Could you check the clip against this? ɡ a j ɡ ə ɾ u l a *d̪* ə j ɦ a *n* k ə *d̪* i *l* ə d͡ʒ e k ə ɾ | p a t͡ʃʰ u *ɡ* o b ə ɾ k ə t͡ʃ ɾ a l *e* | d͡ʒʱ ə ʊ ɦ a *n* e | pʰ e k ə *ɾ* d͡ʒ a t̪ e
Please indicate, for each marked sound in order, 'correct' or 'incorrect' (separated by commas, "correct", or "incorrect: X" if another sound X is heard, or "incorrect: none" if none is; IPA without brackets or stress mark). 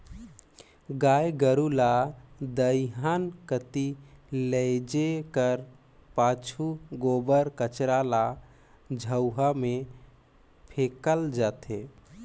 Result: correct, correct, incorrect: t̪, correct, correct, incorrect: a, incorrect: m, incorrect: l